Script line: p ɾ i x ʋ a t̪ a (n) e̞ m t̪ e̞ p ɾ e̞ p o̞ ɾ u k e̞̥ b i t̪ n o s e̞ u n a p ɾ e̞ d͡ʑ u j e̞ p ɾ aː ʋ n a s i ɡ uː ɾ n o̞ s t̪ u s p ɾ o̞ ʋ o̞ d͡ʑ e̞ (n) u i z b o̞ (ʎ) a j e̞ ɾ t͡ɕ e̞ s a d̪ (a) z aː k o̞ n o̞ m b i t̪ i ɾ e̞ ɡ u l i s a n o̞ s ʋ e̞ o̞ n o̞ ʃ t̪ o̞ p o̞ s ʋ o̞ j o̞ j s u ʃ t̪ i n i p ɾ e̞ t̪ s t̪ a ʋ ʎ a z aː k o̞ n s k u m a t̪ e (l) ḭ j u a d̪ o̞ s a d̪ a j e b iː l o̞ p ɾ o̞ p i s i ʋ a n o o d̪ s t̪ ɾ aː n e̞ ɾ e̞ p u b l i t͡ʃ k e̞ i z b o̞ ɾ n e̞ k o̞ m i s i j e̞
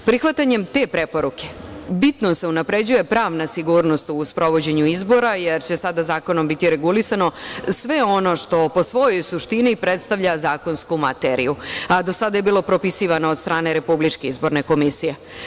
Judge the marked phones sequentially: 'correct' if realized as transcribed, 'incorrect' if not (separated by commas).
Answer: incorrect, incorrect, incorrect, correct, incorrect